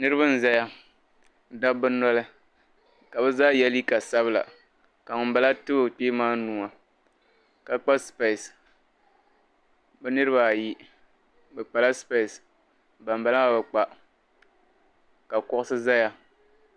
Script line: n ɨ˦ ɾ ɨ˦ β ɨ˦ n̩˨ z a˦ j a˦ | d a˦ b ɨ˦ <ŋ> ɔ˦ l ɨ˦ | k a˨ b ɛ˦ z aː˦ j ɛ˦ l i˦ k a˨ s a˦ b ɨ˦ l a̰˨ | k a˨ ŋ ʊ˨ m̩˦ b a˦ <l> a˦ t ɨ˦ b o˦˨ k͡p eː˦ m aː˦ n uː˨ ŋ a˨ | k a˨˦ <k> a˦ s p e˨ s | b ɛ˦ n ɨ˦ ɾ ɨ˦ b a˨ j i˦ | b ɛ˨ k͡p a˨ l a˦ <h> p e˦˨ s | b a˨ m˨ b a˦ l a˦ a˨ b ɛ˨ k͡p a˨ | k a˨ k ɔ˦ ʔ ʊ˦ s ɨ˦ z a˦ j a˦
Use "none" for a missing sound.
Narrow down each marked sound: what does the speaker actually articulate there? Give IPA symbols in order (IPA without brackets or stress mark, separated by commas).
n, l, k͡p, s